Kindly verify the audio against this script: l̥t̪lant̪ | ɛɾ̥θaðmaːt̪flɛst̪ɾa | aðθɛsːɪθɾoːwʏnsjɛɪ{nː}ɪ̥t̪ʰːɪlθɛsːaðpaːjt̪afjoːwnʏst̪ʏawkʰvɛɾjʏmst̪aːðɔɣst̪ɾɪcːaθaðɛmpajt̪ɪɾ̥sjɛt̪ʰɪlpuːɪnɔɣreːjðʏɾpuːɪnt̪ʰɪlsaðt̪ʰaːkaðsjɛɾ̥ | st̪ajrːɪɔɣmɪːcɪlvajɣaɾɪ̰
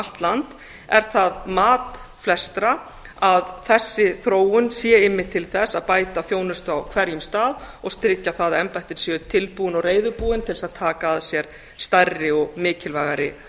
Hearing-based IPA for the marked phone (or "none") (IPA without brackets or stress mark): mː